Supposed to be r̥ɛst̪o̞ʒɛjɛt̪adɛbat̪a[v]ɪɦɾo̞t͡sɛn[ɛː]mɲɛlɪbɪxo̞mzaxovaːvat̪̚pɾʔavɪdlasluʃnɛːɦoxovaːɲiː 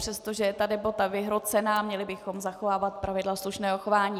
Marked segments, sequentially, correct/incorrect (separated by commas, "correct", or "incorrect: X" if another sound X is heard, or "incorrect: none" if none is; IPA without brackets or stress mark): correct, incorrect: aː